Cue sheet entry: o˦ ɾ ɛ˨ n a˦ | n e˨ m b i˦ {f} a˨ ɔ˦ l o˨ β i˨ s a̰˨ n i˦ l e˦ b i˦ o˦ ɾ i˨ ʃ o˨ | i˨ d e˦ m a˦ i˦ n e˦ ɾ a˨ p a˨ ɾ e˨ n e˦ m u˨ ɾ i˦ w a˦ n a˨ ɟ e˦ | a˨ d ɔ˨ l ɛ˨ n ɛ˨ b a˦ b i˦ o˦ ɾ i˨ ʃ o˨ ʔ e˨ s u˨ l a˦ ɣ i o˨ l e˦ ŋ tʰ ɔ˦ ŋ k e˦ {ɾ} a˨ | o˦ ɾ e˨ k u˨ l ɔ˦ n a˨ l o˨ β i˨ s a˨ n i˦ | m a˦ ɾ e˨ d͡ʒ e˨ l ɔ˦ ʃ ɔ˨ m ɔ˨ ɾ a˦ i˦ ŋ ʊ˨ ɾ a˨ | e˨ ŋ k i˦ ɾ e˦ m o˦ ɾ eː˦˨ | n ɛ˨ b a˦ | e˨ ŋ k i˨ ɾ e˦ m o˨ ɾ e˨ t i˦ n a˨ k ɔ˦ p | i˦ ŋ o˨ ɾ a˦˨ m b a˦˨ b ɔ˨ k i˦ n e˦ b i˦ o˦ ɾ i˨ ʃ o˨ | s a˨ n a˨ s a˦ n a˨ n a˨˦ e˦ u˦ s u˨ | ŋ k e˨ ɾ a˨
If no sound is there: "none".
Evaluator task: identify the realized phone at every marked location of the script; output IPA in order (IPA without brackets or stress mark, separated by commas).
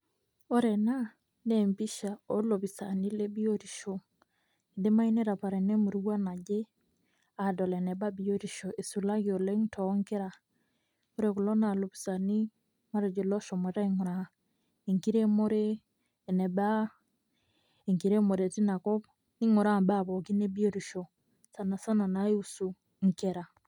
ʃ, ɾ